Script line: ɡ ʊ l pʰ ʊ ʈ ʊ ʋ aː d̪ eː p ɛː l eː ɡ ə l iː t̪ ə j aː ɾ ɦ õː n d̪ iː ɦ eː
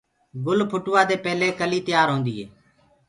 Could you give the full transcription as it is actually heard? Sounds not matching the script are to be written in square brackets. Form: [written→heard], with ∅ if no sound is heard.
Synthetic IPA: ɡ ʊ l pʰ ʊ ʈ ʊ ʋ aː d̪ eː p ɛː l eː [ɡ→k] ə l iː t̪ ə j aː ɾ ɦ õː n d̪ iː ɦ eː